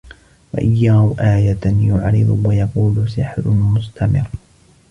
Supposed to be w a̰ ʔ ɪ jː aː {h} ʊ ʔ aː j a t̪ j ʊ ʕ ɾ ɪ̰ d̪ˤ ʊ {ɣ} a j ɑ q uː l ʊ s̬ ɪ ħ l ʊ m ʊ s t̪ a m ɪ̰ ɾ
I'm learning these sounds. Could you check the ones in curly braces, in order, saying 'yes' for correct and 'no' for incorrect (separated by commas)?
yes, no